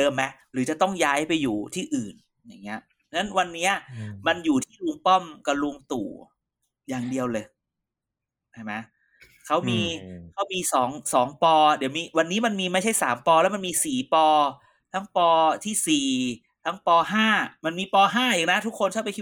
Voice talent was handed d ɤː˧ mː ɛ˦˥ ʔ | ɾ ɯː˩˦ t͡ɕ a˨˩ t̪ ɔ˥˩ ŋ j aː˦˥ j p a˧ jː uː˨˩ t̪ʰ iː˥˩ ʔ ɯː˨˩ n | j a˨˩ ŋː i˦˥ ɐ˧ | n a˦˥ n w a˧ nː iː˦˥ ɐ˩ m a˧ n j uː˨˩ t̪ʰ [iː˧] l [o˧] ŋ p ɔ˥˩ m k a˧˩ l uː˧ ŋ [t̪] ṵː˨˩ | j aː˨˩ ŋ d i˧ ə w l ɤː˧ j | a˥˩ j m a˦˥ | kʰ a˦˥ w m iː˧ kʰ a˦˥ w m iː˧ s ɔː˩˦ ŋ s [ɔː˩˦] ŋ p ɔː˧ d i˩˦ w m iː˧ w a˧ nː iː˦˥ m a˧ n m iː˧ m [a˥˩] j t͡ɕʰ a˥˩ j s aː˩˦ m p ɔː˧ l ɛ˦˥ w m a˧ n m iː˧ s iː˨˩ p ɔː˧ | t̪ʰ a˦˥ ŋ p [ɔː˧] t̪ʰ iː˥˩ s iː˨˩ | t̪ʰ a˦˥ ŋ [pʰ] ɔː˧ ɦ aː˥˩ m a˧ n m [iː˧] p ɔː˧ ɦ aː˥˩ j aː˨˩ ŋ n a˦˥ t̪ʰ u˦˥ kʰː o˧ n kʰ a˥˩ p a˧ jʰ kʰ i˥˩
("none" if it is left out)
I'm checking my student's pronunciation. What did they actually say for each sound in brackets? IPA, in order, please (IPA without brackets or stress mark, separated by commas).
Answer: iː˥˩, u˧, t̪, ɔː˩˦, a˥˩, ɔː˧, p, iː˧